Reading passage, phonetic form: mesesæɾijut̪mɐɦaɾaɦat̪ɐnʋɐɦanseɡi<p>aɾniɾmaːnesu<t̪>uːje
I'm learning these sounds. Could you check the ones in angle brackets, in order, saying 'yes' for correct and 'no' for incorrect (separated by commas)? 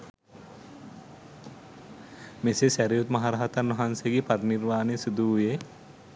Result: yes, no